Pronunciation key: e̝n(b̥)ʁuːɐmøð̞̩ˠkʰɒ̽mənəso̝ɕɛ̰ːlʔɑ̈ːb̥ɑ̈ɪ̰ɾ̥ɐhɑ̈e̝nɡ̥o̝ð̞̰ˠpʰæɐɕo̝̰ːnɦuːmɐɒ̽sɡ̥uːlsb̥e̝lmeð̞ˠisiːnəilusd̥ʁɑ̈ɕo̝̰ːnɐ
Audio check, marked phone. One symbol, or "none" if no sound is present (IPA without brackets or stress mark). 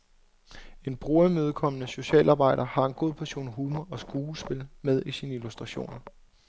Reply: b̥